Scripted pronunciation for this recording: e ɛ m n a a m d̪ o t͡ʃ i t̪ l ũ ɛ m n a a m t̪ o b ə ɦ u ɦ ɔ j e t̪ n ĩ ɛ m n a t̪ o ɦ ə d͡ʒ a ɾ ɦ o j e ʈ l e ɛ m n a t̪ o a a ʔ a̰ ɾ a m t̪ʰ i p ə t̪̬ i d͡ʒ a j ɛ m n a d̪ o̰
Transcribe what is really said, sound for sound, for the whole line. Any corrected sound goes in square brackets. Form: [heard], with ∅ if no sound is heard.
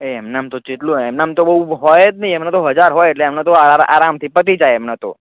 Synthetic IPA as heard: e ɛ m n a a m [t̪] o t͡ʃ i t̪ l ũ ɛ m n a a m t̪ o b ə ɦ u ɦ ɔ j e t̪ n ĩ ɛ m n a t̪ o ɦ ə d͡ʒ a ɾ ɦ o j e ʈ l e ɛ m n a t̪ o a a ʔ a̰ ɾ a m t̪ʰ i p ə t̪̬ i d͡ʒ a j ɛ m n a [t̪] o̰